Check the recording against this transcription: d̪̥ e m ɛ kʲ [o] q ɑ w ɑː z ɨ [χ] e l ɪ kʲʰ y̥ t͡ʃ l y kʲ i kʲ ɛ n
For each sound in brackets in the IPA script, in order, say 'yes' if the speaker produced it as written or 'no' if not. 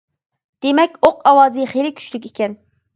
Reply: yes, yes

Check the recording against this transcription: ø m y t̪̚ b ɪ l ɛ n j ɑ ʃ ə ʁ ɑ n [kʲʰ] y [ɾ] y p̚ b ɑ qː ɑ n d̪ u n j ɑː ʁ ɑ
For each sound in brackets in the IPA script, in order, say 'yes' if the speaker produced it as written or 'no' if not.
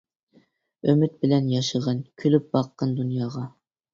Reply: yes, no

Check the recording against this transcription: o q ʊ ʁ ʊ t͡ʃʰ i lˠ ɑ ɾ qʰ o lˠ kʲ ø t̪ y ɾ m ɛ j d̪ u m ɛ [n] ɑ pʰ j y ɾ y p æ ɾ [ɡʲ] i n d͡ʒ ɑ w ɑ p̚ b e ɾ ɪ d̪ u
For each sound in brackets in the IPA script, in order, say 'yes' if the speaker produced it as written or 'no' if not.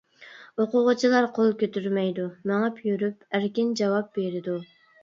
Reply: no, no

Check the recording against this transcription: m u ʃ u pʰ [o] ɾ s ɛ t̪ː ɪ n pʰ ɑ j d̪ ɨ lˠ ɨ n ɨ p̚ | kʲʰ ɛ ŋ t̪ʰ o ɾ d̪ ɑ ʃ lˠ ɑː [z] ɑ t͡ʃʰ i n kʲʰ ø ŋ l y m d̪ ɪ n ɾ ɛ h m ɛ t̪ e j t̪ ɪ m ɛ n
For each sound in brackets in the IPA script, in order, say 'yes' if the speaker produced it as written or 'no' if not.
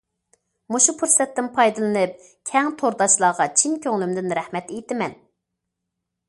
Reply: no, no

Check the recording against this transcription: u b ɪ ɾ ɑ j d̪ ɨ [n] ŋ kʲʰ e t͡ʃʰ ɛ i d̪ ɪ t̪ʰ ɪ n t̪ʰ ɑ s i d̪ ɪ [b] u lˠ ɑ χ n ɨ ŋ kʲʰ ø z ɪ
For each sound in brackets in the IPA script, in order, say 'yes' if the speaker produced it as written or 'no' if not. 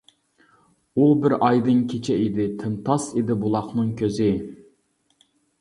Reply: no, yes

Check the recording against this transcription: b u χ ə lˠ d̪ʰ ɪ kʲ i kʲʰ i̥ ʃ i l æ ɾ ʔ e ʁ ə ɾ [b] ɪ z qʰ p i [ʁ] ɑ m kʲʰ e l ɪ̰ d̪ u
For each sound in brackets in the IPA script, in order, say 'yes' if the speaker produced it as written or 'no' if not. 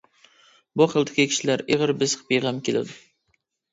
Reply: yes, yes

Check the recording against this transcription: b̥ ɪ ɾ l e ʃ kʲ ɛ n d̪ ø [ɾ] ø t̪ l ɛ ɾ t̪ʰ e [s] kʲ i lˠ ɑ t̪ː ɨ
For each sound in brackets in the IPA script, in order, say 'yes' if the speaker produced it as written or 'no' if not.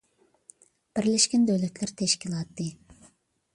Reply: no, no

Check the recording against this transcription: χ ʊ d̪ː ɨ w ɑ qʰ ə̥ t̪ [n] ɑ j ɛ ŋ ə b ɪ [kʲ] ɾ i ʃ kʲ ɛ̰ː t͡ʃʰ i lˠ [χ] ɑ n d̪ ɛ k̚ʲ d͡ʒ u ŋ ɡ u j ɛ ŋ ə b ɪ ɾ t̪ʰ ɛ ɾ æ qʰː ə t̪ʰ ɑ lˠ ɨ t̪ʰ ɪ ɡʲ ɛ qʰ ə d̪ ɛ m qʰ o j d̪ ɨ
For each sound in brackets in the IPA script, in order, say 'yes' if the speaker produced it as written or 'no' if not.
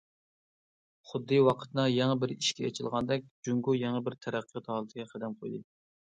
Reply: yes, no, no

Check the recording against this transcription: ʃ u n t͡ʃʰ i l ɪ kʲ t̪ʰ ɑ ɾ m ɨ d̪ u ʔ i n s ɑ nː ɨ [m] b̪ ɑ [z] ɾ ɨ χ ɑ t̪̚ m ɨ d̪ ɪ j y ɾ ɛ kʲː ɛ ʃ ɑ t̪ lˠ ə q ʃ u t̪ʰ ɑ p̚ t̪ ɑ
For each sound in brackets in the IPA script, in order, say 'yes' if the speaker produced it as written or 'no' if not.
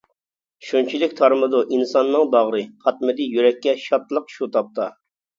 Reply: no, no

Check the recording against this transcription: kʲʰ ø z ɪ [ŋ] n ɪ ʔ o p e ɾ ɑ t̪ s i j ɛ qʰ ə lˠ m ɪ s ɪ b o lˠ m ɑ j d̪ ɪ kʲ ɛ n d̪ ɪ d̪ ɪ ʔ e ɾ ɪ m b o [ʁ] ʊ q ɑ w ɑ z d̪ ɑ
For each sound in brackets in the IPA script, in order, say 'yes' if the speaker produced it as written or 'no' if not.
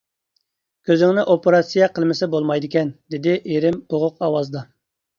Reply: yes, yes

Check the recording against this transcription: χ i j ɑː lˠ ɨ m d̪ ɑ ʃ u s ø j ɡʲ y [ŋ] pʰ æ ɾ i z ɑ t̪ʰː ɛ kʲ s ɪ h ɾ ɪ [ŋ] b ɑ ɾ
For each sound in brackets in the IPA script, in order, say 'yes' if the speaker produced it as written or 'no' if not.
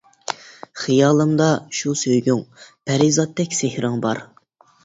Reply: yes, yes

